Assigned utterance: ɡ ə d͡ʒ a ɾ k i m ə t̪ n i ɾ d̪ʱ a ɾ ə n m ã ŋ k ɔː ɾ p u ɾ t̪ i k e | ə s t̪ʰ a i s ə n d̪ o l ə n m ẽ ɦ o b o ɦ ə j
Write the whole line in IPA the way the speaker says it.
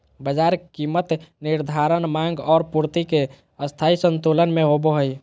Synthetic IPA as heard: b ə d͡ʒ a ɾ k i m ə t̪ n i ɾ d̪ʱ a ɾ ə n m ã ŋ ɡ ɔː ɾ p u ɾ t̪ i k e | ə s t̪ʰ a i s ə n t̪ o l ə n m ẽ ɦ o b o ɦ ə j